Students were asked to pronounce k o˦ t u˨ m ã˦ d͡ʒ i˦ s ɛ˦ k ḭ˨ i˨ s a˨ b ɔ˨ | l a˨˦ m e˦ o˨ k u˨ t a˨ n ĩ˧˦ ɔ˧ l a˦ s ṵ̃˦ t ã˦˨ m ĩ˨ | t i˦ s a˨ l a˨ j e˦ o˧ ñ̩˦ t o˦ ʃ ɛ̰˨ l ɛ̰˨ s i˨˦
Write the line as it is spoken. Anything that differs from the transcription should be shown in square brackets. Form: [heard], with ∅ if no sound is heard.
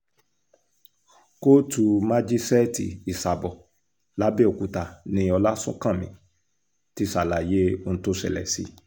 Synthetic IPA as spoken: k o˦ t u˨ m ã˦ d͡ʒ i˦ s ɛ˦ [t] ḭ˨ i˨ s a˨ b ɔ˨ | l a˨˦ [b] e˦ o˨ k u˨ t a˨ n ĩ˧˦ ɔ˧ l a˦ s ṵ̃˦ [k] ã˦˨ m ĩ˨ | t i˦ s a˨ l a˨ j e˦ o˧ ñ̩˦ t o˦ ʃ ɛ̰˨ l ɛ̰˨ s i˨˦